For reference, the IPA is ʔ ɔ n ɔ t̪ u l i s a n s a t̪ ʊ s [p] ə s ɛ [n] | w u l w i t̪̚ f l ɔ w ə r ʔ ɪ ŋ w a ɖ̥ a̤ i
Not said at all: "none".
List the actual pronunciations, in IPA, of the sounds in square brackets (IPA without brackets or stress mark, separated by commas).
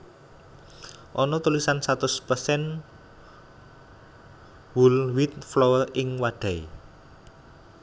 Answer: p, n